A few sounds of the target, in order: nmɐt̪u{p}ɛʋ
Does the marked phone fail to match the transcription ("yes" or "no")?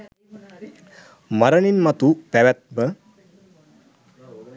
no